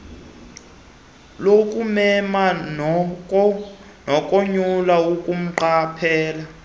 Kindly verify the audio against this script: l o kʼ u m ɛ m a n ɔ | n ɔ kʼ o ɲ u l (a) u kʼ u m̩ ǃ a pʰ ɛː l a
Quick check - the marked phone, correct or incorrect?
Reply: correct